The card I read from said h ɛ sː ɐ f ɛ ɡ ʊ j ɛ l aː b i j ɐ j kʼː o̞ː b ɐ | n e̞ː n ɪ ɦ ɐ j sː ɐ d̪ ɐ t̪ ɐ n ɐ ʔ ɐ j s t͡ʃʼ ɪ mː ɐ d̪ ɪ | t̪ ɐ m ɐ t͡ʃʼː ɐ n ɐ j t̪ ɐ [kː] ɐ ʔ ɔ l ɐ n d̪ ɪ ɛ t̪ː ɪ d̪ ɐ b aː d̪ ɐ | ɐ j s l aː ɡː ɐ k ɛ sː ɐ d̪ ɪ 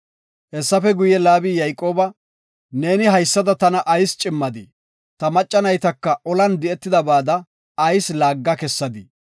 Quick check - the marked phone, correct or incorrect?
correct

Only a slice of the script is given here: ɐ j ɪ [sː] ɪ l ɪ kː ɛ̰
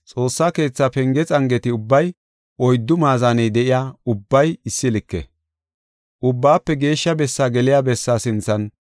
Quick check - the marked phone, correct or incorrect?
correct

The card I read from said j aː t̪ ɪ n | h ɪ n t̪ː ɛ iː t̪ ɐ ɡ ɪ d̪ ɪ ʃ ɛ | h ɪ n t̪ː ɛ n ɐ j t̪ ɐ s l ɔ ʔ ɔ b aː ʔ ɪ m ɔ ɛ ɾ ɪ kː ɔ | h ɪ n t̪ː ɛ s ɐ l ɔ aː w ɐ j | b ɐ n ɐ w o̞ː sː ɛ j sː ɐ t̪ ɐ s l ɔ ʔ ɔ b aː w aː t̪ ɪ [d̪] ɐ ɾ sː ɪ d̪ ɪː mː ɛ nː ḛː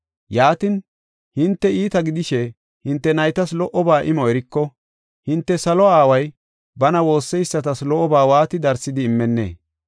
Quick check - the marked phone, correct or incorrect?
correct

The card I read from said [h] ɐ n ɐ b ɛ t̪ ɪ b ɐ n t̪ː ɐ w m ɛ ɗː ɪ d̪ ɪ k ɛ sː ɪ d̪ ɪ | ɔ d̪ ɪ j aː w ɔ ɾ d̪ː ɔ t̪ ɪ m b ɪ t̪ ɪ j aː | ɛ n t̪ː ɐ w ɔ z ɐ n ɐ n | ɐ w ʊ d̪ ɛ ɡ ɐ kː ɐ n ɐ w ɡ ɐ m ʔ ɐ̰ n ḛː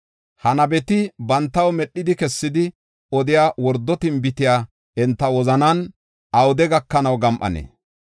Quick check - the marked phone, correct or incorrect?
correct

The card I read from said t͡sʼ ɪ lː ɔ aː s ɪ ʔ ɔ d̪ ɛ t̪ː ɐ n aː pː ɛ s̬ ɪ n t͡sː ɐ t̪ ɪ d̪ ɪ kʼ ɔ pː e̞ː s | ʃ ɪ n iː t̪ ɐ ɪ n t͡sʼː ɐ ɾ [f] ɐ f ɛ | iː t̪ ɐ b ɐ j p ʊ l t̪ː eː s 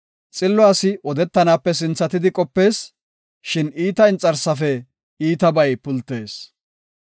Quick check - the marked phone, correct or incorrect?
incorrect: s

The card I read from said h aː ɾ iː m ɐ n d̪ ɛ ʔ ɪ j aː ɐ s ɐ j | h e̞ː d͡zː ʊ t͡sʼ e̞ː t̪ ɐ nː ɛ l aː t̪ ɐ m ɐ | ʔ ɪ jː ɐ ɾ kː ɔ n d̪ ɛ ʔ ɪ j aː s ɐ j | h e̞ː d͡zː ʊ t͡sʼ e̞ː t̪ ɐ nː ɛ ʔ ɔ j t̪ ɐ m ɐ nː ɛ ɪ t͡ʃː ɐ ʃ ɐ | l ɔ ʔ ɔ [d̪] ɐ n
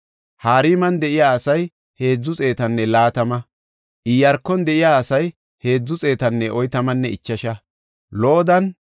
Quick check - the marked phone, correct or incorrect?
correct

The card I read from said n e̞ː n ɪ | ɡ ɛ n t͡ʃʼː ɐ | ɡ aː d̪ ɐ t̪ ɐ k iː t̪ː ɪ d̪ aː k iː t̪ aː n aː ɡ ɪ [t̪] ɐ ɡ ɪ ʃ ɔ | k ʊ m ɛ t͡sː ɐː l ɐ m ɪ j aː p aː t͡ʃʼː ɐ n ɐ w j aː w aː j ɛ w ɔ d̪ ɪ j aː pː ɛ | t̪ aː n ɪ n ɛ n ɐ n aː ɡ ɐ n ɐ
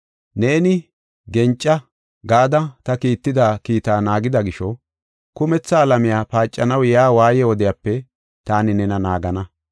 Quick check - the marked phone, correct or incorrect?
incorrect: d̪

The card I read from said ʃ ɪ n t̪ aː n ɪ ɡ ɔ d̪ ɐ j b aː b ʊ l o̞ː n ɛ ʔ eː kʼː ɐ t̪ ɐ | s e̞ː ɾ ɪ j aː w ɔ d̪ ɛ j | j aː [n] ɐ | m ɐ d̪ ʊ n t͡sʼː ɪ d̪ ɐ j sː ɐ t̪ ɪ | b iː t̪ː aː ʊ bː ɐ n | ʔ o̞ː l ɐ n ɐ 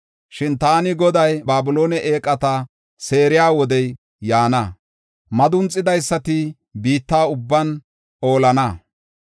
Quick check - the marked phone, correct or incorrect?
correct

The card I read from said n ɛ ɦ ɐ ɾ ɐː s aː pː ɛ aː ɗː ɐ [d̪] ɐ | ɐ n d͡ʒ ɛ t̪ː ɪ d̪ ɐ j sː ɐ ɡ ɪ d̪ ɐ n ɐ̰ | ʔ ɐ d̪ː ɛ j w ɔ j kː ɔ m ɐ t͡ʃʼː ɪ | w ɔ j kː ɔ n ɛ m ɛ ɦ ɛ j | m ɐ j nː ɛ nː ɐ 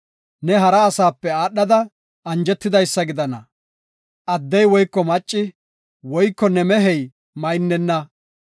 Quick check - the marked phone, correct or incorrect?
correct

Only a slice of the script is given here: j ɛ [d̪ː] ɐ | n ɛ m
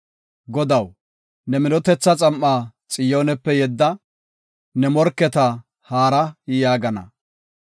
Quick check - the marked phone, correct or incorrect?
correct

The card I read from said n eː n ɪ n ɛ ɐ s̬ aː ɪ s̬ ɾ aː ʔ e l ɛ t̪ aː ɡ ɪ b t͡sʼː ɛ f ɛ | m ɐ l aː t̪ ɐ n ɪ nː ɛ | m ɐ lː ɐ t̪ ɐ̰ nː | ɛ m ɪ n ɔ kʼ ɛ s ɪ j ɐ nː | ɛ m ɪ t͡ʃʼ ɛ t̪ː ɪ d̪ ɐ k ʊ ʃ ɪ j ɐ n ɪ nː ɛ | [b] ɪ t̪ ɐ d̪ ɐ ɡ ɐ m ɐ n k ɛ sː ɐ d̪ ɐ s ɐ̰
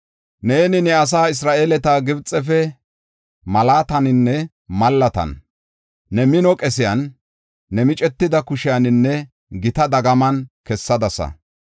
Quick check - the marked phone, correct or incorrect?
incorrect: ɡ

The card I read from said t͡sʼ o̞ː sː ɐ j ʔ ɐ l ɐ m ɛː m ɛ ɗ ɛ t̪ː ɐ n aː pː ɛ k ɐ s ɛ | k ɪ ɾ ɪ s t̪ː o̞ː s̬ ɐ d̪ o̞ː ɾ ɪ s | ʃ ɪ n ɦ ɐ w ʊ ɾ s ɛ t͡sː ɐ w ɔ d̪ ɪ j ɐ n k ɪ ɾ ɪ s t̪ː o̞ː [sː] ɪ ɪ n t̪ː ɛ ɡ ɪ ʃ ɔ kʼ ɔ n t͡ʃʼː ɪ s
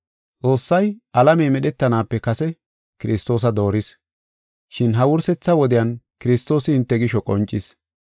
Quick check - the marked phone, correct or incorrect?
incorrect: s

